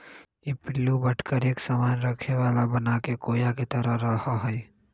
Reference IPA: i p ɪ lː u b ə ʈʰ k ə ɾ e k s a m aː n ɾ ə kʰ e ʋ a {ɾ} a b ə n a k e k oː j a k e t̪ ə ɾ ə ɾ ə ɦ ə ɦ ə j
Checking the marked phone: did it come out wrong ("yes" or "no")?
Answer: yes